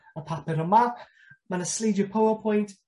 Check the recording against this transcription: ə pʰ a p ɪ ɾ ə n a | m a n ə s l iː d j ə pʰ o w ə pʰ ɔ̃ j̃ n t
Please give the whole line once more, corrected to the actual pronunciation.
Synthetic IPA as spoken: ə pʰ a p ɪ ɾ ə m a | m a n ə s l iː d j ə pʰ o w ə pʰ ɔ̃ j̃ n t

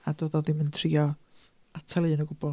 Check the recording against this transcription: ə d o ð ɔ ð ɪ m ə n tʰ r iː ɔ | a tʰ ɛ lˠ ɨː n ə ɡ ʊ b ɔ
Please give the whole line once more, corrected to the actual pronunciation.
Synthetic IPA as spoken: a d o ð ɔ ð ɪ m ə n tʰ r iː ɔ | a tʰ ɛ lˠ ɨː n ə ɡ ʊ b ɔ

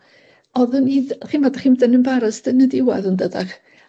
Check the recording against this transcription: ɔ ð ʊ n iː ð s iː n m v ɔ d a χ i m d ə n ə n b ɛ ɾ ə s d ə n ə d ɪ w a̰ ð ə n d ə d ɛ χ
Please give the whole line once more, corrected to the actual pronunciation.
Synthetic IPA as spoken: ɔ ð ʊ n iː ð χ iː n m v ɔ d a χ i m d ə n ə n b a ɾ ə s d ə n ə d ɪ w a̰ ð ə n d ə d a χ

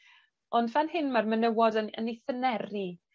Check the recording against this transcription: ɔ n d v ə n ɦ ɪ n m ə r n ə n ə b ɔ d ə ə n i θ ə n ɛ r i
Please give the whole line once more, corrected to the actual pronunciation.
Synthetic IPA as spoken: ɔ n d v a n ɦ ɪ n m a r m ə n ə w ɔ d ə ə n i θ ə n ɛ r i

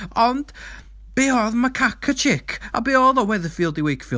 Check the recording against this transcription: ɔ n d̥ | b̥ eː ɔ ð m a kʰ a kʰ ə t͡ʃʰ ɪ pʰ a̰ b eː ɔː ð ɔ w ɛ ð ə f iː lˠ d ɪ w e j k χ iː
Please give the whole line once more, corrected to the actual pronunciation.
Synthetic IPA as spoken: ɔ n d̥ | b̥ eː ɔ ð m a kʰ a kʰ ə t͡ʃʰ ɪ kʰ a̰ b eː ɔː ð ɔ w ɛ ð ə f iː lˠ d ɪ w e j k f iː

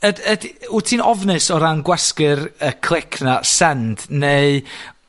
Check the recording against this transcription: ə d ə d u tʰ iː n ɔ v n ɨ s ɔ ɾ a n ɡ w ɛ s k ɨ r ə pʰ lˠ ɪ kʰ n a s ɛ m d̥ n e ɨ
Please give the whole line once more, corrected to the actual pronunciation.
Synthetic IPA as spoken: ə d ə d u tʰ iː n ɔ v n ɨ s ɔ ɾ a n ɡ w ɛ s k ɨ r ə kʰ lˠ ɪ kʰ n a s ɛ n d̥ n e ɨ

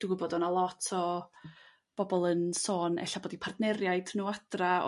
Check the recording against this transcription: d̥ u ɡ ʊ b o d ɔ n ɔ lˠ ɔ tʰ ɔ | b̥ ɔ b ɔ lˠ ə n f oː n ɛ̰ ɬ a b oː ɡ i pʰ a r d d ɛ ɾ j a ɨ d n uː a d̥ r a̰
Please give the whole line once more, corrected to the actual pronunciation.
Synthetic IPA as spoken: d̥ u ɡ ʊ b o d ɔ n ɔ lˠ ɔ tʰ ɔ | b̥ ɔ b ɔ lˠ ə n s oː n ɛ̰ ɬ a b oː d i pʰ a r d n ɛ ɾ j a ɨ d n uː a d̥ r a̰

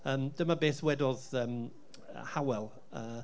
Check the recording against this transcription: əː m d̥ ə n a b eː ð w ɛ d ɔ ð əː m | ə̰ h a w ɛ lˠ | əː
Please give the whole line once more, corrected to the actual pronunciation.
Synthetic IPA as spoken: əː m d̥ ə m a b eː θ w ɛ d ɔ ð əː m | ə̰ h a w ɛ lˠ | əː

